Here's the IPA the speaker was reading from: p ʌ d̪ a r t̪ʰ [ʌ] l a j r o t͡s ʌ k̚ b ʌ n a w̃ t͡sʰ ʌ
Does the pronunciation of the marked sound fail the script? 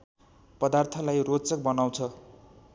no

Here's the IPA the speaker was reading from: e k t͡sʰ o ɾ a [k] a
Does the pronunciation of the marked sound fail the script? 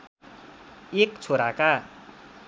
no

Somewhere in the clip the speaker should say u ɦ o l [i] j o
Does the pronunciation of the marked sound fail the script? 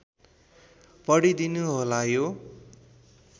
yes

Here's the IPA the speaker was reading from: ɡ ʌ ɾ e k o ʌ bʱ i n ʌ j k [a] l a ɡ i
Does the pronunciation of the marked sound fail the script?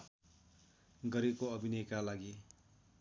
no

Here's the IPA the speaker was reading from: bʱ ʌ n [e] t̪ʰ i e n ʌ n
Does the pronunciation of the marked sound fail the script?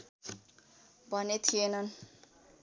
no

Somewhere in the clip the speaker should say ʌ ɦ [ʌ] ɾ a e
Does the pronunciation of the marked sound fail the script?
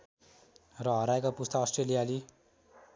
no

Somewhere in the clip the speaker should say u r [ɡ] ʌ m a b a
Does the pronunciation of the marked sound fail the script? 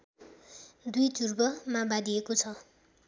yes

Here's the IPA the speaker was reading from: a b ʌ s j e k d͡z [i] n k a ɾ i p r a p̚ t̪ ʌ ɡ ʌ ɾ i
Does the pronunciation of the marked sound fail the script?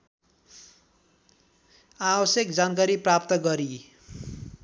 yes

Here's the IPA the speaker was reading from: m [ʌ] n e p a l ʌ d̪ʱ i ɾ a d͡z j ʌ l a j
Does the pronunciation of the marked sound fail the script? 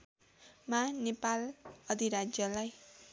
yes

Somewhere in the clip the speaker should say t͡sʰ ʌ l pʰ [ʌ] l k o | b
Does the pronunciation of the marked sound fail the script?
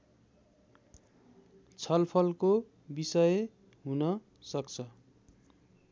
no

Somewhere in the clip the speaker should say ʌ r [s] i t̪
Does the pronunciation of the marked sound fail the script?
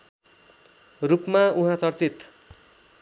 yes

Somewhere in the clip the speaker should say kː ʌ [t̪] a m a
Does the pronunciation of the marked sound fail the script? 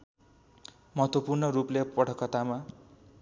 no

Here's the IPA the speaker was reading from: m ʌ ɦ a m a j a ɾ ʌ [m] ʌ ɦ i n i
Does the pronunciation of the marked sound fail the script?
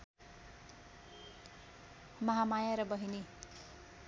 yes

